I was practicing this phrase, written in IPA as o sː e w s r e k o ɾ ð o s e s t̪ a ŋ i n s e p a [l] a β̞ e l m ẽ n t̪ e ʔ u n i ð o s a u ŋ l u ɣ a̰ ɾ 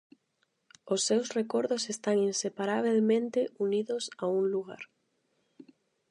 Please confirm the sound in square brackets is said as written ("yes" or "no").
no